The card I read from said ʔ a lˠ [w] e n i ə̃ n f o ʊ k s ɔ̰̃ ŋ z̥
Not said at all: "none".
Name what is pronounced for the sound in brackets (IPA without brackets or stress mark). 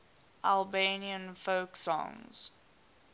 b